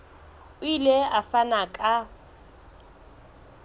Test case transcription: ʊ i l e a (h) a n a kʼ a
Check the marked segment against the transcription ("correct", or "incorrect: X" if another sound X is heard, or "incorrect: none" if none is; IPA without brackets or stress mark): incorrect: f